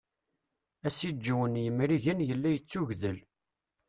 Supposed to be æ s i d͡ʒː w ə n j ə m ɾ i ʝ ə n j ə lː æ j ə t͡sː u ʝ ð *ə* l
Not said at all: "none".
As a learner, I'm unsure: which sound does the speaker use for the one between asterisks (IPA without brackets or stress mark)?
ə